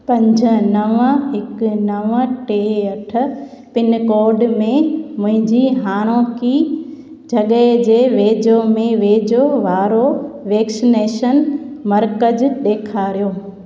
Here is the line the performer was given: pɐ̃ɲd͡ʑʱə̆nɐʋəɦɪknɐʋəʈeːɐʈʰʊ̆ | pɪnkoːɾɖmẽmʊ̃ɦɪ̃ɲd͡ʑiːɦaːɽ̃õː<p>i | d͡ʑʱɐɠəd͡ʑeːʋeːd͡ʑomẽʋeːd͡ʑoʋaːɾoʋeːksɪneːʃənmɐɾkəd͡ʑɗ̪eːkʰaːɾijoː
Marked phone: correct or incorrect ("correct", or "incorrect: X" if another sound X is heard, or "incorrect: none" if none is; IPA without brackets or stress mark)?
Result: incorrect: k